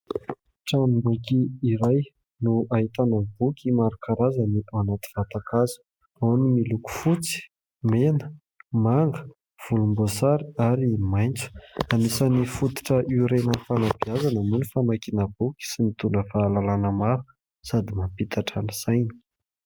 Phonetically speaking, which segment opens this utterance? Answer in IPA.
ʈ͡ʂ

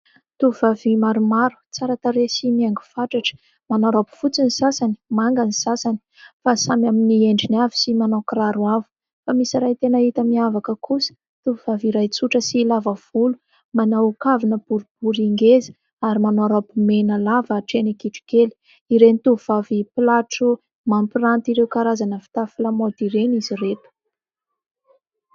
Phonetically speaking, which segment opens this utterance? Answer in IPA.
t̪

